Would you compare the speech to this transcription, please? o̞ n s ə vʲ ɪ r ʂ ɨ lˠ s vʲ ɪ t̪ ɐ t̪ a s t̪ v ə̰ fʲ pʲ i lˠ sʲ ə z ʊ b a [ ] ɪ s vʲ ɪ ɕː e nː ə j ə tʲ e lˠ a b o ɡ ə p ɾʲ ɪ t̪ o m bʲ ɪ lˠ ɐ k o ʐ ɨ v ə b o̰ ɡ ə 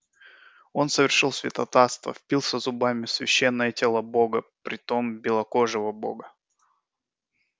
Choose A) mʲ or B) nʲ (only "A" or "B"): A